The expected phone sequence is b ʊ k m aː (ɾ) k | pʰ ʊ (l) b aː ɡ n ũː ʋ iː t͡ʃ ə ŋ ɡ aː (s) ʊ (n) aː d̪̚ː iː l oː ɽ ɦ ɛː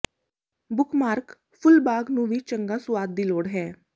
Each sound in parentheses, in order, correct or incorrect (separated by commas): correct, correct, correct, incorrect